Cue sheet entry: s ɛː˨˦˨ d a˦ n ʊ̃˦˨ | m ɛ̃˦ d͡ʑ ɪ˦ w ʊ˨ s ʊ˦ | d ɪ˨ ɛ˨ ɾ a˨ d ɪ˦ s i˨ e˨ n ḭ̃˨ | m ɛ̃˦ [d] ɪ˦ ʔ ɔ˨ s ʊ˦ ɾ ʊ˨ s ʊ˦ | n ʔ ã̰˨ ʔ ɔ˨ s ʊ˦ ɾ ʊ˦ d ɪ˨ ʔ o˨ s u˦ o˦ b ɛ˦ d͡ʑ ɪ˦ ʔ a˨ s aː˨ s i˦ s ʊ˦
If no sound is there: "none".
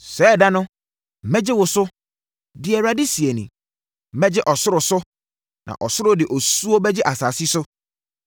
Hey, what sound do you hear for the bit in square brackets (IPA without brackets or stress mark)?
d͡ʑ